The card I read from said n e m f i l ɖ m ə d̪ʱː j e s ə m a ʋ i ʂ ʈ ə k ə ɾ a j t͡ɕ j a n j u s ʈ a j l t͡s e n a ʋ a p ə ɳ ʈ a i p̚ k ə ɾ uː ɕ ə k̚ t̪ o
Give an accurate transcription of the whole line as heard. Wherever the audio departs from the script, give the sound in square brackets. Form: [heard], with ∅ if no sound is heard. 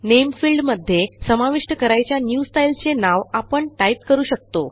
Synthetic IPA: n e m f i l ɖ m ə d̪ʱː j e s ə m a ʋ i ʂ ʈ ə k ə ɾ a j t͡ɕ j a n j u s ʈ a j l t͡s e n a ʋ a p ə ɳ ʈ a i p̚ k ə ɾ uː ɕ ə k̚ t̪ o